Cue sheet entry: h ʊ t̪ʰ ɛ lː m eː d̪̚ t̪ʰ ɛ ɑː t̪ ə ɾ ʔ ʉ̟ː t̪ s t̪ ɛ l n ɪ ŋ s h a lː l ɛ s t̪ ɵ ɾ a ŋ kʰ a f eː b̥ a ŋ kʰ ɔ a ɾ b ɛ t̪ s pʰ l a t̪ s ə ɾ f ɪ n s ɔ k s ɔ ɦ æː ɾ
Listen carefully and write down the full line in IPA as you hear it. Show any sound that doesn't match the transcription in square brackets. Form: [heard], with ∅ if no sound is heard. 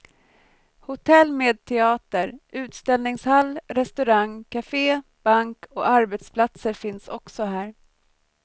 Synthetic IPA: h ʊ t̪ʰ ɛ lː m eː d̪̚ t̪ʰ ɛ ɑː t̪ ə ɾ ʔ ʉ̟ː t̪ s t̪ ɛ l n ɪ ŋ s h a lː [ɾ] ɛ s t̪ ɵ ɾ a ŋ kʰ a f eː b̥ a ŋ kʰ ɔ a ɾ b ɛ t̪ s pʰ l a t̪ s ə ɾ f ɪ n s ɔ k s ɔ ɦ æː ɾ